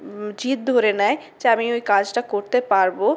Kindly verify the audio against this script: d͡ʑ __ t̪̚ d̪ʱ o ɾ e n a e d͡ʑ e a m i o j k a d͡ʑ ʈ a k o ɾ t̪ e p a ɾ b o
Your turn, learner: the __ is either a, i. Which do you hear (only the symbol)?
i